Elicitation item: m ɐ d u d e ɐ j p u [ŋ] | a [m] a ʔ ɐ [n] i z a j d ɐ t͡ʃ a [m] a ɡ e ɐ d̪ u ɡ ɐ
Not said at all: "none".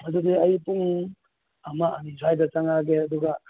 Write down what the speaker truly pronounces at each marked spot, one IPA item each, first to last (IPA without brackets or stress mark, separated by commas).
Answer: ŋ, m, n, ŋ